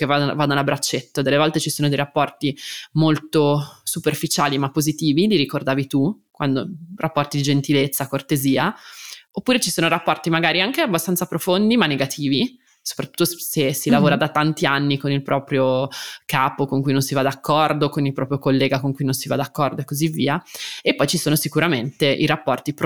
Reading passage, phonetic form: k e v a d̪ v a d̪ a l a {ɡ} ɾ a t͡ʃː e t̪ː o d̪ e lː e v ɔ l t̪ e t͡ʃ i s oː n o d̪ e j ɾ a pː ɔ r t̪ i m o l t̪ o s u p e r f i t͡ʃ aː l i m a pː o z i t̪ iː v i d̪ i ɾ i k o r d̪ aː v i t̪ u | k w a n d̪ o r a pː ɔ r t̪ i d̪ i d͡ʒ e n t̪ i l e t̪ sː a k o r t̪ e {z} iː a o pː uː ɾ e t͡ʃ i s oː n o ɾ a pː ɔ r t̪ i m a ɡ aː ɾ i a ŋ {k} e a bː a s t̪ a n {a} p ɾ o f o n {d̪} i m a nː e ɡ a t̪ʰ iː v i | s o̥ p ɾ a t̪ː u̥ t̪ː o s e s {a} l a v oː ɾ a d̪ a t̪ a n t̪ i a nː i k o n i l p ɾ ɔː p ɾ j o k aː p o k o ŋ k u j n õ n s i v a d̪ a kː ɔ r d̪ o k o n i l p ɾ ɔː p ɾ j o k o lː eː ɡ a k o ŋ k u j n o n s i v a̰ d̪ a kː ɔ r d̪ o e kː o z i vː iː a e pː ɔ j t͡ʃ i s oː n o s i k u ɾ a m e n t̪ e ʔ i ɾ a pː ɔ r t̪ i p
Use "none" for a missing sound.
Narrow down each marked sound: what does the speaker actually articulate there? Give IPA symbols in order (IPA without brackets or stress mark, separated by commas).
b, z, k, a, d̪, i